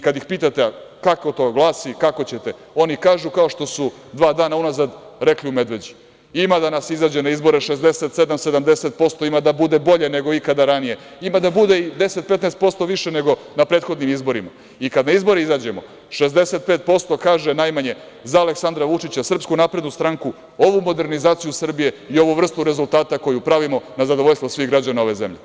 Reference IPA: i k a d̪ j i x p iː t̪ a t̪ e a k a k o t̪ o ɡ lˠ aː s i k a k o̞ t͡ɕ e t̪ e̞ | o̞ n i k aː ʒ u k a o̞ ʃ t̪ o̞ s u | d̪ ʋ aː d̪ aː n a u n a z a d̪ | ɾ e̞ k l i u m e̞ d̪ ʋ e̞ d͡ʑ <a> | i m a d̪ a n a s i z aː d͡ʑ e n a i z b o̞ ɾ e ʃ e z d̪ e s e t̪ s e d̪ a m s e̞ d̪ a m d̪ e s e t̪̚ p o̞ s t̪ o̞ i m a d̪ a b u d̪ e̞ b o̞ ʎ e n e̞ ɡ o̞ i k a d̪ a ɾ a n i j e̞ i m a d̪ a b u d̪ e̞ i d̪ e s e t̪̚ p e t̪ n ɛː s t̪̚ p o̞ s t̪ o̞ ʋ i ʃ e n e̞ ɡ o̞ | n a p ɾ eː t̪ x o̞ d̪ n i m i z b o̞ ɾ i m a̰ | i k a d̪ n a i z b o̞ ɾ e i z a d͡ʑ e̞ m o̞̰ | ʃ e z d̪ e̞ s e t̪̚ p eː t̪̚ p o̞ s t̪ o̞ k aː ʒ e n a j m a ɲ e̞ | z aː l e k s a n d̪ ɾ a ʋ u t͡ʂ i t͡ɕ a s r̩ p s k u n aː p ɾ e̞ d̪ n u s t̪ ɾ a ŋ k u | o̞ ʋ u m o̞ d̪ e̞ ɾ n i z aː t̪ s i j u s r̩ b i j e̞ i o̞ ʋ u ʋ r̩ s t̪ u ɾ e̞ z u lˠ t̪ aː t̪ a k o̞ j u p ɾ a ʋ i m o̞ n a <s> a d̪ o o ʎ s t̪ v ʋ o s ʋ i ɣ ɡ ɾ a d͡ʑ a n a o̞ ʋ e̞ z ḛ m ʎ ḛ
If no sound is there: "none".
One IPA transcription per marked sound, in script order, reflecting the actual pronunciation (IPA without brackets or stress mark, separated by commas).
i, z